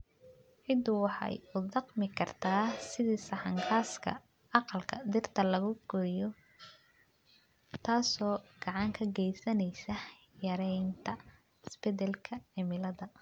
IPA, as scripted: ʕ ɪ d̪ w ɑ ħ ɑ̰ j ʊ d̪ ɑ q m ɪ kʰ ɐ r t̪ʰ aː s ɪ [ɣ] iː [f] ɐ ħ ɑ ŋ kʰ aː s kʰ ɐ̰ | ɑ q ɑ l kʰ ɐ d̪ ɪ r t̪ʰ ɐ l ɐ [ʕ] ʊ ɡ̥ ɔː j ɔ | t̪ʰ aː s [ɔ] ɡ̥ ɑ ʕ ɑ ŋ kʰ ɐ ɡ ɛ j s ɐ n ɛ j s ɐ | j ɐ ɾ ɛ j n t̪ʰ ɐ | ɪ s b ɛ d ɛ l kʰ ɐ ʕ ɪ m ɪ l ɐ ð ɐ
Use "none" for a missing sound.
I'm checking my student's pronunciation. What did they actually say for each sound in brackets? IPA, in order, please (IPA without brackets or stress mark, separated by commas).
ð, s, ɣ, ɔː